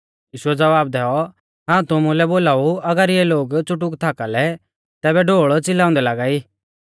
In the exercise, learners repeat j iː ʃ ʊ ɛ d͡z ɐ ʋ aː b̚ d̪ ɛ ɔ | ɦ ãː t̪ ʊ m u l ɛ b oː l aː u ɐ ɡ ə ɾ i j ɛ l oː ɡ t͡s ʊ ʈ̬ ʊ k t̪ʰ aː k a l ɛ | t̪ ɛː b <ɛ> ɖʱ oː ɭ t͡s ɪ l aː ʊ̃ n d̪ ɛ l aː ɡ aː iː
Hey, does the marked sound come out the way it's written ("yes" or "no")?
yes